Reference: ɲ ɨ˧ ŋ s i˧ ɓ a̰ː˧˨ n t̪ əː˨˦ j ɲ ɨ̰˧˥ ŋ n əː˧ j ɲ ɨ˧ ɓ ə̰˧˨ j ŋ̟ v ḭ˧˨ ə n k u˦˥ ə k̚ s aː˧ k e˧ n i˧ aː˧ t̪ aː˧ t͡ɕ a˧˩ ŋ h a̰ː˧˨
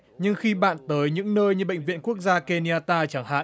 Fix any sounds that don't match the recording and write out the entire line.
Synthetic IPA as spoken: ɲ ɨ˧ ŋ x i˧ ɓ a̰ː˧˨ n t̪ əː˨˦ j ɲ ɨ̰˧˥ ŋ n əː˧ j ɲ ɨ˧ ɓ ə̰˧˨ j ŋ̟ v ḭ˧˨ ə n k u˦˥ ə k̚ z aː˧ k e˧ n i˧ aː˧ t̪ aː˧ t͡ɕ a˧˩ ŋ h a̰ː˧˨